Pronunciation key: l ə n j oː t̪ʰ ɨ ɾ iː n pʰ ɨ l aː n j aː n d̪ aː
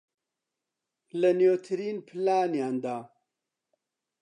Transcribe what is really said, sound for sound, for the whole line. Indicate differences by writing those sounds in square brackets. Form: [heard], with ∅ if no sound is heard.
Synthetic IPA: l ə n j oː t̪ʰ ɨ ɾ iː n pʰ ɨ l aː n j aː n d̪ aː